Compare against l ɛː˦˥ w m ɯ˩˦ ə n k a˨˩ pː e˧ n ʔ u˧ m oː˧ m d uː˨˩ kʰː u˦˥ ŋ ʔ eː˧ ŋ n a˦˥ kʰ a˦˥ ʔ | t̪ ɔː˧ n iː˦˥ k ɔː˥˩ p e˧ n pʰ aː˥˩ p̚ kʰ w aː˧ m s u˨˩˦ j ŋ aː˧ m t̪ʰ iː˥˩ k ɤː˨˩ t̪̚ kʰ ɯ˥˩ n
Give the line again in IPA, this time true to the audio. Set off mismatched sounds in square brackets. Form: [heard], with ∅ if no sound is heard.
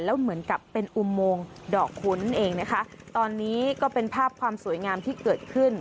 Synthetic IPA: l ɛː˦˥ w m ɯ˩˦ ə n k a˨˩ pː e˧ n ʔ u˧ m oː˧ [ŋ] d [ɔː˨˩] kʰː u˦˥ [n] ʔ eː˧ ŋ n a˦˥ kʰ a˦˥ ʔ | t̪ ɔː˧ [nː] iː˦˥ k ɔː˥˩ p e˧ n pʰ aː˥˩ p̚ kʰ w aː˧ m s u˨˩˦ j ŋ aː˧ m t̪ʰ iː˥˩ k ɤː˨˩ t̪̚ kʰ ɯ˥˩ n